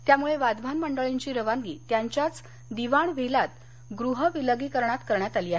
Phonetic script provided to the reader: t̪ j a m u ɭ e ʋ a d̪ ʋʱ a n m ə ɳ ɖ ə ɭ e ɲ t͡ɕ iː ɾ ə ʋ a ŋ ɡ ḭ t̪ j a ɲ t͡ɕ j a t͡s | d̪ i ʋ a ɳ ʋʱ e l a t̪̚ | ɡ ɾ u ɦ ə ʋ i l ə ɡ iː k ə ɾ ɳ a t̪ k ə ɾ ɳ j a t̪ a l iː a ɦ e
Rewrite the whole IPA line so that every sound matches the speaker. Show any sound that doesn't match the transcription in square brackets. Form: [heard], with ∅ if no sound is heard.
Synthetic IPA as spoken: t̪ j a m u ɭ e ʋ a d̪ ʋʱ a n m ə ɳ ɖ ə ɭ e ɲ t͡ɕ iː ɾ ə ʋ a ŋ ɡ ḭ t̪ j a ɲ t͡ɕ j a t͡s | d̪ i ʋ a ɳ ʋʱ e l a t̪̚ | ɡ ɾ u ɦ ə ʋ i l ə ɡ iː k ə ɾ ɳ a t̪ k ə ɾ ɳ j a t̪ a l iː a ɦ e